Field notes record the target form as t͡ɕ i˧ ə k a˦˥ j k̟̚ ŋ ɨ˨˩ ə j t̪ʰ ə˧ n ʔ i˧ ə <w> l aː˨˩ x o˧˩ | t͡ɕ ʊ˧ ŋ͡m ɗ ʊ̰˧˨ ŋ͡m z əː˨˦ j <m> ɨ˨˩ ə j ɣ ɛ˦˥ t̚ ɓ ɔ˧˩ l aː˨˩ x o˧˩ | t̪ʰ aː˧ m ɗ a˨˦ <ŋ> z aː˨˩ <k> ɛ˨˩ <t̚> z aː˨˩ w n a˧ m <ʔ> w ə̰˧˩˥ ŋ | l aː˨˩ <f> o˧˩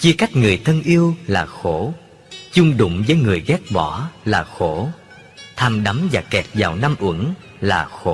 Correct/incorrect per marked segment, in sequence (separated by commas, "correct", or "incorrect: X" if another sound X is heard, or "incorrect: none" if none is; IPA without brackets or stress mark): correct, incorrect: ŋ, incorrect: m, correct, correct, correct, incorrect: x